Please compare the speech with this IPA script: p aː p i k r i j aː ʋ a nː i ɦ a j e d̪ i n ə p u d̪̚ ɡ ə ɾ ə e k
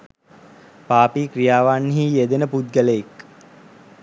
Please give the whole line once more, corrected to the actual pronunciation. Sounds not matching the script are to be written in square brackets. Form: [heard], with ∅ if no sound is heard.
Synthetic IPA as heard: p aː p i k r i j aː ʋ a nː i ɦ [i] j e d̪ [e] n ə p u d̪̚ ɡ ə [l] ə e k